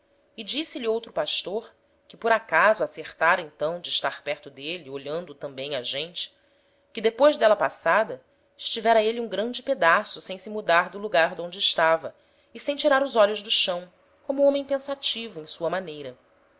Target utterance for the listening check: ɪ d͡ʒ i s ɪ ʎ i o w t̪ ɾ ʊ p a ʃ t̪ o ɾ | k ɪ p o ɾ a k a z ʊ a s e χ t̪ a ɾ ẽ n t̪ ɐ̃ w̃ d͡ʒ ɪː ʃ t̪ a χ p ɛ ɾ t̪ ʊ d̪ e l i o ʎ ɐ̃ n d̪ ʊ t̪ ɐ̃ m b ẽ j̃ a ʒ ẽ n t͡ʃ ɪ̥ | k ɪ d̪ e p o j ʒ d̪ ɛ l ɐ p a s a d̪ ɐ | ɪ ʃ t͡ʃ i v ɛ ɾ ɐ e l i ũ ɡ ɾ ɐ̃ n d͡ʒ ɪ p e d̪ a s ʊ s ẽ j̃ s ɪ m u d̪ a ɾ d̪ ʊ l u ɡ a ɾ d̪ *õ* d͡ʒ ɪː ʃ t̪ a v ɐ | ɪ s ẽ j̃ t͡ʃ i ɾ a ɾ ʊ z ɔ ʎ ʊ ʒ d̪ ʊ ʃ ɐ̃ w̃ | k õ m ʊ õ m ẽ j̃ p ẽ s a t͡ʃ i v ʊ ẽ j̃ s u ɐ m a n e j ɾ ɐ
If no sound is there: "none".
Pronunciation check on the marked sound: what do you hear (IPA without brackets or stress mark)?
õ